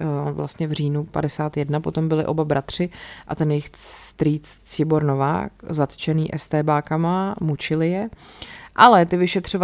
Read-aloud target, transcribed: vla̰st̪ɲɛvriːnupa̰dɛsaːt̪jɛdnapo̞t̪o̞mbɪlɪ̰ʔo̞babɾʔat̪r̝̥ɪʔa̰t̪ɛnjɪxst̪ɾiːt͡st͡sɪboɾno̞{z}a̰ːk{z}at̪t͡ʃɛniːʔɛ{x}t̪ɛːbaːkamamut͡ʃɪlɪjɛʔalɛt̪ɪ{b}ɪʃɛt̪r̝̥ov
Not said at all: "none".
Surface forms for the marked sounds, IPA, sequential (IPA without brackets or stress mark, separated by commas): v, z, s, v